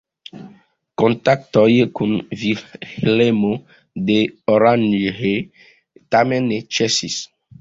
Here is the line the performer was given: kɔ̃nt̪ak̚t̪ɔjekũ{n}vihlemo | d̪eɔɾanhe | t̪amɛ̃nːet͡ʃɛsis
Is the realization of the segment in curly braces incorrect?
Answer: no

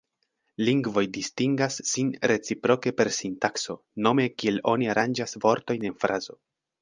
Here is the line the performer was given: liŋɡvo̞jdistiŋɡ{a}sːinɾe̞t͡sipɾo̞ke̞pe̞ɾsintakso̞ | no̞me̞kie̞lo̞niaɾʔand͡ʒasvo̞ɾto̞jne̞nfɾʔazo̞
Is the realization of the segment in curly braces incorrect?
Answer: no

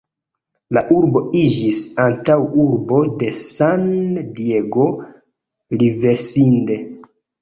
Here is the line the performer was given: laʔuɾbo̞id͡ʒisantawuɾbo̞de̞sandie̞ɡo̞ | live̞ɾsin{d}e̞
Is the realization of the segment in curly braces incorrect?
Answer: no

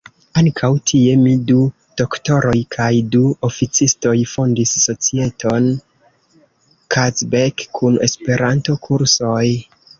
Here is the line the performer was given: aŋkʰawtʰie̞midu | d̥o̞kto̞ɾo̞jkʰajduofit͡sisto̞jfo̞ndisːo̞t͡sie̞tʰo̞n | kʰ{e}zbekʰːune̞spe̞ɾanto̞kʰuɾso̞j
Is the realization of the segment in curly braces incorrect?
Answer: yes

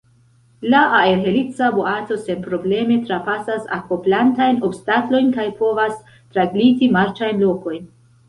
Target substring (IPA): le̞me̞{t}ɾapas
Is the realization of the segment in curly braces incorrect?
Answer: no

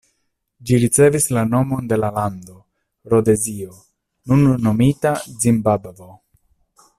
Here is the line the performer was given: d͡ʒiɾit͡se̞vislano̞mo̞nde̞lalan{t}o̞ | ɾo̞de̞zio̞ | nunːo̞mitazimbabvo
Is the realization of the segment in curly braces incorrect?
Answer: yes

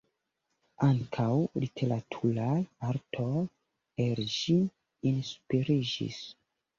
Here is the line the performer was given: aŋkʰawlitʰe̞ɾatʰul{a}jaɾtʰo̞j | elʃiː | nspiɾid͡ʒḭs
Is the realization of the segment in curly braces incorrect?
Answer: no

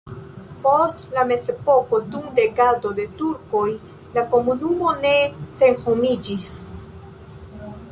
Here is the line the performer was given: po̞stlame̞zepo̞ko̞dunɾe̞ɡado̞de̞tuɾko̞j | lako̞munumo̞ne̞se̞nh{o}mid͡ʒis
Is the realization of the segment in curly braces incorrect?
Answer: no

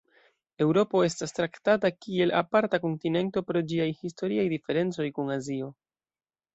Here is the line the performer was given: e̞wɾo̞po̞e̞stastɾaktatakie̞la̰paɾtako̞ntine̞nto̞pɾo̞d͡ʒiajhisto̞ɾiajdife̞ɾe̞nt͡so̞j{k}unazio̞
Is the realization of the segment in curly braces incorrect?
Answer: no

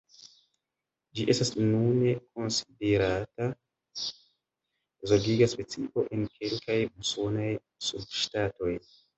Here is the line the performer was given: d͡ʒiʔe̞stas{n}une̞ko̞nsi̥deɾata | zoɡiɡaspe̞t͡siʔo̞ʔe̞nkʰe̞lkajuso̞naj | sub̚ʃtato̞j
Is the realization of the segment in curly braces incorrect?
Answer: no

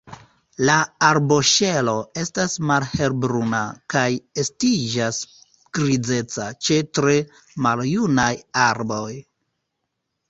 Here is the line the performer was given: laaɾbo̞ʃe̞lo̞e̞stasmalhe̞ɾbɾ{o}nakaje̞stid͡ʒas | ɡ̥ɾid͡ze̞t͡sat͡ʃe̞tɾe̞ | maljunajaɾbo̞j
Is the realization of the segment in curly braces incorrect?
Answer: yes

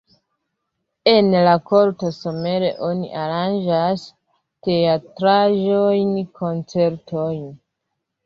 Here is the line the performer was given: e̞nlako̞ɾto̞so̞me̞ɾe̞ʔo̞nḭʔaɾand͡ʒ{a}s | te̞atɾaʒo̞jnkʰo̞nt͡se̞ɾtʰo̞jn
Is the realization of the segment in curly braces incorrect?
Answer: no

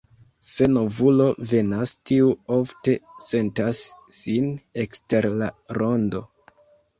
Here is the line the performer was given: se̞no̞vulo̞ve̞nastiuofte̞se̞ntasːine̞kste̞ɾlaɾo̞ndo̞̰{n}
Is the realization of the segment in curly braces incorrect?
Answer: yes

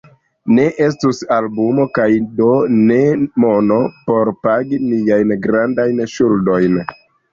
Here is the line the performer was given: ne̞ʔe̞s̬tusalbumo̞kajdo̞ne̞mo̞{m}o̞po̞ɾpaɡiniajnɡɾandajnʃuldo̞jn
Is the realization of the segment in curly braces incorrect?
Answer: yes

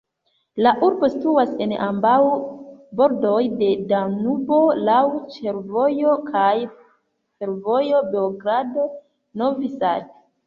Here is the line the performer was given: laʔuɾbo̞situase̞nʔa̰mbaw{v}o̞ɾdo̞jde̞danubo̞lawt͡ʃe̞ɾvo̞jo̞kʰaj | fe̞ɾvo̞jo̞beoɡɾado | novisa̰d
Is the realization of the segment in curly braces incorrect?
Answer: yes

